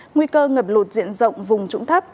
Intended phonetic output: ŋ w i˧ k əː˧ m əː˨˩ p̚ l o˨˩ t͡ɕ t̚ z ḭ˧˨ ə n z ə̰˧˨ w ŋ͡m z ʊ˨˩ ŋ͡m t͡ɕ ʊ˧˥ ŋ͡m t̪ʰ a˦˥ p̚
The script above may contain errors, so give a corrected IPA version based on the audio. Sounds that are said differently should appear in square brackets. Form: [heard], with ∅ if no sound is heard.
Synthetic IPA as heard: ŋ w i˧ k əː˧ [ŋ] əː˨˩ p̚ l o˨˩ [∅] t̚ z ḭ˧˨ ə n z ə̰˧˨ w ŋ͡m [v] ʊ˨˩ ŋ͡m t͡ɕ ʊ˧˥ ŋ͡m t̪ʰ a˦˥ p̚

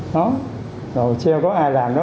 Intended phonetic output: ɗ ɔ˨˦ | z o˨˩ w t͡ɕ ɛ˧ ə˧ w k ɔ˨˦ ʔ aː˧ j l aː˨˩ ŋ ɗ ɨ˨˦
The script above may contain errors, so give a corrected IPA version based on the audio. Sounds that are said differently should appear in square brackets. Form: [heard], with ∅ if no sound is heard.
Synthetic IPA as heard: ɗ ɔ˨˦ | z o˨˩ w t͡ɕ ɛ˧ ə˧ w k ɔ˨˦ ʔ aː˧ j l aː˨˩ [m] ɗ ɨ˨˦

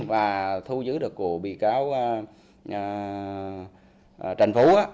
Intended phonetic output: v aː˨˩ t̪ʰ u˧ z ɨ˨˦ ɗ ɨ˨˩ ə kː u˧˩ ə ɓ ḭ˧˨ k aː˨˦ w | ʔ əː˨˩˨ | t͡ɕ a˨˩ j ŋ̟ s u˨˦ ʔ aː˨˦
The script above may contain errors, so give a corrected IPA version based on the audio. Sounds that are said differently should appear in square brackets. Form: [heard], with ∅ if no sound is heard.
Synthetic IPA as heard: v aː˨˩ t̪ʰ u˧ z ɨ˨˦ ɗ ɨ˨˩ ə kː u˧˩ ə ɓ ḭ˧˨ k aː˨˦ w | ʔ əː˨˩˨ | t͡ɕ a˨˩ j ŋ̟ [f] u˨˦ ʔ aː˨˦

